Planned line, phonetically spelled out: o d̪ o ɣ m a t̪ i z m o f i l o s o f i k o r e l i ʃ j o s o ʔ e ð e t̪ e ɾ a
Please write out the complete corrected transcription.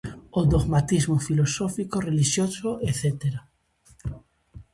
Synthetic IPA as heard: o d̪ o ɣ m a t̪ i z m o f i l o s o f i k o r e l i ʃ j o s o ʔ e θ e t̪ e ɾ a